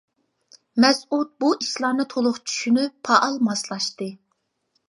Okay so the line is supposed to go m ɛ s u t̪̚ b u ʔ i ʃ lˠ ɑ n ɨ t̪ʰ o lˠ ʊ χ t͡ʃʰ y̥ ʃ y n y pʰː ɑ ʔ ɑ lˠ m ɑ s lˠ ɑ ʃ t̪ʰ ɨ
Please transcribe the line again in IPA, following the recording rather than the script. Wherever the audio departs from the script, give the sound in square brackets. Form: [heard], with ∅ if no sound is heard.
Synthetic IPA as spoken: m ɛ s u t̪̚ b u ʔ i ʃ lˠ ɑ n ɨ t̪ʰ o lˠ ʊ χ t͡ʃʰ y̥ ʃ y n y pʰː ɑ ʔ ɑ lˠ m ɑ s lˠ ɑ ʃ [t̪] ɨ